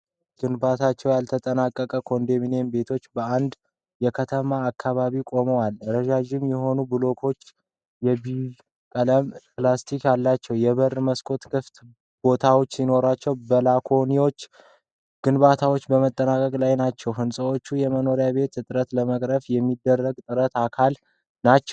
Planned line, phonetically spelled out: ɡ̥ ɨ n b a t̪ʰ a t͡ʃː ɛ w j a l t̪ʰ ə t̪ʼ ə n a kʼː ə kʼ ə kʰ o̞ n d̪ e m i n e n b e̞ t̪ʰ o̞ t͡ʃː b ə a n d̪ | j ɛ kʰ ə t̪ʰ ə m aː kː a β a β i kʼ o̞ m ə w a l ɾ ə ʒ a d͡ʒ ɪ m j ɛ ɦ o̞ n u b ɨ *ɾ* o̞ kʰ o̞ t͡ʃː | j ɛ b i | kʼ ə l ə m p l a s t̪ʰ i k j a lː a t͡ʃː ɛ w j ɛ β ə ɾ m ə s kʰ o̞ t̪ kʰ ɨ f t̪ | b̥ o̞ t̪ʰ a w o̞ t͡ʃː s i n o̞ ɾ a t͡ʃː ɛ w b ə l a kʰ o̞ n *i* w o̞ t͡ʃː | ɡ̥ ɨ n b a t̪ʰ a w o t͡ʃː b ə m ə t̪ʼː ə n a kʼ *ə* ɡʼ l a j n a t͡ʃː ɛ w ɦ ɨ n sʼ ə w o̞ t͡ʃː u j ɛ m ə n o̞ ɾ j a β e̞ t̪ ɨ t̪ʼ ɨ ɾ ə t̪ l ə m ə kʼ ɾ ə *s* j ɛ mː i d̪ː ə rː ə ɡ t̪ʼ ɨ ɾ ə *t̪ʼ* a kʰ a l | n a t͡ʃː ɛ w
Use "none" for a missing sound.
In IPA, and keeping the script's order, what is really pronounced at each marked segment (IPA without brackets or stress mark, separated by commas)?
l, i, ə, f, t̪